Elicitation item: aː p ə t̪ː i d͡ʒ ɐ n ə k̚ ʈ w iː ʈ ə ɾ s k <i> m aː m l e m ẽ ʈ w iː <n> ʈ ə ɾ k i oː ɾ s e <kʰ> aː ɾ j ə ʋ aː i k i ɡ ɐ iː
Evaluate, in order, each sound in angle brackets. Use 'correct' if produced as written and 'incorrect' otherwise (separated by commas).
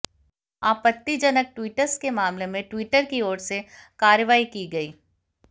incorrect, incorrect, incorrect